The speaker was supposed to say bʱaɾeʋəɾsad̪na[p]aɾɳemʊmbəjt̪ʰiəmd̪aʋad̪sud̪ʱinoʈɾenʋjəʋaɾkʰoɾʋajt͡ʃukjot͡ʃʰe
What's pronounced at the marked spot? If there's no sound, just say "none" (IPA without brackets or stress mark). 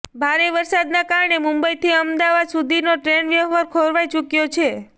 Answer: k